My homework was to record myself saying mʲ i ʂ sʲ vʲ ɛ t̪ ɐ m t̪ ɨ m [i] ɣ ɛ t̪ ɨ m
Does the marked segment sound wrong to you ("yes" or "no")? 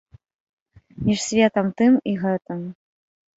no